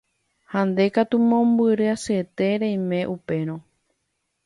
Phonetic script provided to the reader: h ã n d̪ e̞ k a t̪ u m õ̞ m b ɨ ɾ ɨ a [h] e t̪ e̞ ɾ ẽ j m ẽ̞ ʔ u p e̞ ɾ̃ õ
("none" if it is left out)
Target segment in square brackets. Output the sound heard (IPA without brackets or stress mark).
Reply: s